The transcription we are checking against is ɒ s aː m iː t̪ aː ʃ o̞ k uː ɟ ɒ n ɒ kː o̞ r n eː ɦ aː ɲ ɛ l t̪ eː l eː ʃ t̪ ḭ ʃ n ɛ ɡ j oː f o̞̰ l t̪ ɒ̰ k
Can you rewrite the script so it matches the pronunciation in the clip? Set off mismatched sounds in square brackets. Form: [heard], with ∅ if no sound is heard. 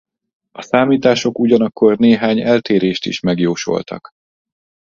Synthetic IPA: ɒ s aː m iː t̪ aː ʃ o̞ k [u] ɟ ɒ n ɒ kː o̞ r n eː ɦ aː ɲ ɛ l t̪ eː [ɾ] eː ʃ t̪ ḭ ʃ [m] ɛ ɡ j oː [ʃ] o̞̰ l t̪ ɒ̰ k